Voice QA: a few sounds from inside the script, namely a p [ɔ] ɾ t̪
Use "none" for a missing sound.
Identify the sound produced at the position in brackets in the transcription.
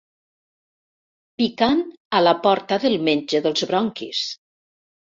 ɔ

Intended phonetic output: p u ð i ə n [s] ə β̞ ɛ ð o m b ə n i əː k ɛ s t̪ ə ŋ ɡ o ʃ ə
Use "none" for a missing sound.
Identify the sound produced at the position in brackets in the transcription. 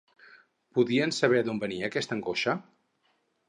s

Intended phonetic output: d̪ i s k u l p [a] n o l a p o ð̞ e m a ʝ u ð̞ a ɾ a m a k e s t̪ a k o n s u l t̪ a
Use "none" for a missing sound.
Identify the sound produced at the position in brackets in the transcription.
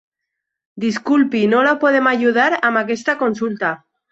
i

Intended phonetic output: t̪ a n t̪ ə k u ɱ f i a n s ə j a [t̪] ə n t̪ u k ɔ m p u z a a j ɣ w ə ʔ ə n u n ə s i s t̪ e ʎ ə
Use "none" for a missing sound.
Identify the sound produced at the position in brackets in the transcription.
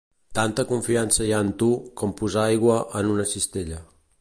none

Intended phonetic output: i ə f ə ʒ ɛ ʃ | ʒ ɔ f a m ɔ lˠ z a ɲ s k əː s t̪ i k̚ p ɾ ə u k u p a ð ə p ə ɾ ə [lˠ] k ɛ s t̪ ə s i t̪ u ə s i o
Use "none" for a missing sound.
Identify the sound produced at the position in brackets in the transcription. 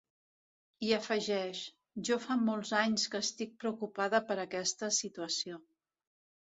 none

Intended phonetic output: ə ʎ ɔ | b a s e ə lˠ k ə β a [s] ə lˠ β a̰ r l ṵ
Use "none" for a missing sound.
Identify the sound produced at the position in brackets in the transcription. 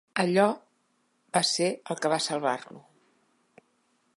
s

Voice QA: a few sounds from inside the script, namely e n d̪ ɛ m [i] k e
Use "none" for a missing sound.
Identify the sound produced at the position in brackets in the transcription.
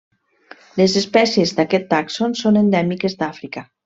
i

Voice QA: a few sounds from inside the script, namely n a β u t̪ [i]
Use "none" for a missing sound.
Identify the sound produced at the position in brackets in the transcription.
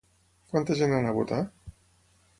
a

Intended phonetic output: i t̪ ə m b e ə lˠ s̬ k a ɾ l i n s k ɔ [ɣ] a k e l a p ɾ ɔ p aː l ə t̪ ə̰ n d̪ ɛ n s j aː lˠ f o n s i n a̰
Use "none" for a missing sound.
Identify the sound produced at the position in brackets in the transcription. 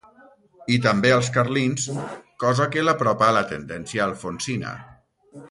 z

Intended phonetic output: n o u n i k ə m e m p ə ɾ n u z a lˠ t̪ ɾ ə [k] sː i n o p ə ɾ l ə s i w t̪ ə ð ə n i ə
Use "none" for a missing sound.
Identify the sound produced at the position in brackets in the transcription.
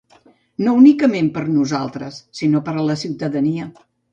none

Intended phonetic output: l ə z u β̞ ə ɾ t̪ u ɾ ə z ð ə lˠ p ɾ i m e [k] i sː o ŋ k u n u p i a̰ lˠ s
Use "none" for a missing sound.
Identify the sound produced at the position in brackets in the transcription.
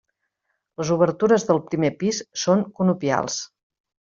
p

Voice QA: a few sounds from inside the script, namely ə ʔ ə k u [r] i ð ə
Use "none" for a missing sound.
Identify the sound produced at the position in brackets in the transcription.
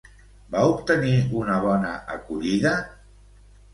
ʎ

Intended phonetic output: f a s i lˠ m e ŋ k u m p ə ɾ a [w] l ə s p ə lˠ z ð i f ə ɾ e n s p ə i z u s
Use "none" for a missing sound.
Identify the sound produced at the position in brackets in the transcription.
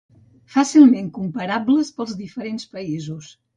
b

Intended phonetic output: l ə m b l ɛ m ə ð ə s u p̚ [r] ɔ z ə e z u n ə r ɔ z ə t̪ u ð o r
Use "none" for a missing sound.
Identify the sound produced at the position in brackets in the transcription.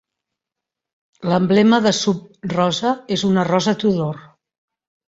r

